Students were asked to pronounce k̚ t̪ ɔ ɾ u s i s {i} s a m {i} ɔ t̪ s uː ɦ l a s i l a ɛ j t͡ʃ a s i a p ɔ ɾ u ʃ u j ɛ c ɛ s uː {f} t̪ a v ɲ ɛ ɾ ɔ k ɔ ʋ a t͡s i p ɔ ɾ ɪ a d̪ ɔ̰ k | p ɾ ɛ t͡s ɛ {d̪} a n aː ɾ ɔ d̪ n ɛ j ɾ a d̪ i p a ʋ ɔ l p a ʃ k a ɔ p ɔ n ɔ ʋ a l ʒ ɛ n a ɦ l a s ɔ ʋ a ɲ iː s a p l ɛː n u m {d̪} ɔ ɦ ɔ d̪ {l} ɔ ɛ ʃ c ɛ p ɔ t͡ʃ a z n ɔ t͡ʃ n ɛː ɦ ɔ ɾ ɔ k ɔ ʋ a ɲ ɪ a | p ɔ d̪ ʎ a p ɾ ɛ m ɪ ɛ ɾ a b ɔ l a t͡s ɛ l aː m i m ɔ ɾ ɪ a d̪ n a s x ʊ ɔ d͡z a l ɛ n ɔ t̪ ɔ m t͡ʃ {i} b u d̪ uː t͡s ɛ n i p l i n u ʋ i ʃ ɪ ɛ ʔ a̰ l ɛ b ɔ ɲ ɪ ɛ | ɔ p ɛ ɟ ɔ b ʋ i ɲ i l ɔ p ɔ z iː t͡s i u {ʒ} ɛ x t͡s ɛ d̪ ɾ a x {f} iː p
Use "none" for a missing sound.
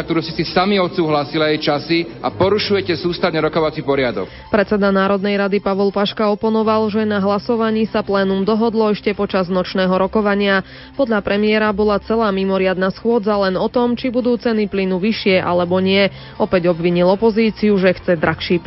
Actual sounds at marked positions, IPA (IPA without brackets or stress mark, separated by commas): i, i, s, d̪, d̪, l, i, ʒ, ʃ